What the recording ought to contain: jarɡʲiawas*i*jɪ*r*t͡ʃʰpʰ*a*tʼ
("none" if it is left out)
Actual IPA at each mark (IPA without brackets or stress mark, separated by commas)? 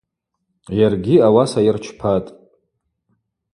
a, r, a